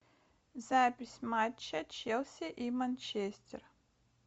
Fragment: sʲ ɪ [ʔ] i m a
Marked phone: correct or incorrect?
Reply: correct